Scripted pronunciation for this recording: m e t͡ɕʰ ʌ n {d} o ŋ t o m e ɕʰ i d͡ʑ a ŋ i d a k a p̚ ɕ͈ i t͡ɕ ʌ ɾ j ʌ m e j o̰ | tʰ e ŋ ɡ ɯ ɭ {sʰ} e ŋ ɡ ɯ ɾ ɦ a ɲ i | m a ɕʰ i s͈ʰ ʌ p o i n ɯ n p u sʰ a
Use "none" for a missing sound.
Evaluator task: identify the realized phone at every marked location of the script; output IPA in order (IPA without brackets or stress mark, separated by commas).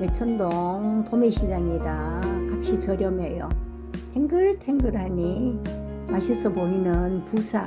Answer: d, tʰ